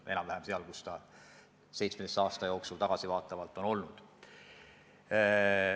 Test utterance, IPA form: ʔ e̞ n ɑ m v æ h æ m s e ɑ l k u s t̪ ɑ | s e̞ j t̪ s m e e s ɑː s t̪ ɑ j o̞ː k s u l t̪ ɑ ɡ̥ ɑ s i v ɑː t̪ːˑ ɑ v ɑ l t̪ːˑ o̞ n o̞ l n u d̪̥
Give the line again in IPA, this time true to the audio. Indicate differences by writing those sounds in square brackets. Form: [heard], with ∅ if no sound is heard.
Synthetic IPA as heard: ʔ e̞ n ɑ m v æ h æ m s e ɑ l k u s t̪ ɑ | s e̞ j t̪ s m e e s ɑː s t̪ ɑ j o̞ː k s u l t̪ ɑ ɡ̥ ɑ s i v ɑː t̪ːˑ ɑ v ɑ l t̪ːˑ o̞ n o̞ l n u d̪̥